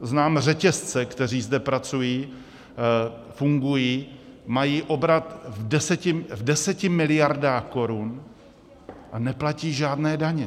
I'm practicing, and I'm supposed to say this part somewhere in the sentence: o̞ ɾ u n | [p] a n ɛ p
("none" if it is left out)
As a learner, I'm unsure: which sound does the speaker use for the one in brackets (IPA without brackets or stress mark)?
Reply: ʔ